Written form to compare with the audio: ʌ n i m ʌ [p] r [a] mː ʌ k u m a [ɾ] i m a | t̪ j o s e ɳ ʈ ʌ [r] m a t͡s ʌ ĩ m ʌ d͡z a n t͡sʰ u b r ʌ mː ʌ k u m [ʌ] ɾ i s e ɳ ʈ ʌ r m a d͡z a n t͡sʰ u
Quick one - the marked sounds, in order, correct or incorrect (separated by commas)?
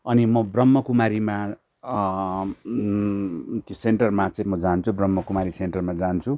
incorrect, incorrect, correct, correct, incorrect